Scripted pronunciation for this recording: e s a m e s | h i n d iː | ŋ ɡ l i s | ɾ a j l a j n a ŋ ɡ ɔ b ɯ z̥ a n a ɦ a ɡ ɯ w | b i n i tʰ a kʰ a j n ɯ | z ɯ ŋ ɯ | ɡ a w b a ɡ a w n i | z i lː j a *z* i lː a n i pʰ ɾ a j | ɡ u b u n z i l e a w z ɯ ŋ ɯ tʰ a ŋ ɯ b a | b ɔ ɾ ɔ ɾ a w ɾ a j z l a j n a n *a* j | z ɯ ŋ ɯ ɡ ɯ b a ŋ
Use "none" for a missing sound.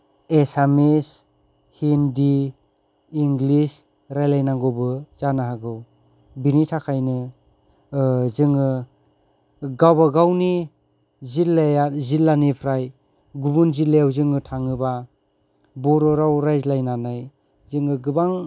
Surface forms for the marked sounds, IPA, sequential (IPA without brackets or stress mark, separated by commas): z, a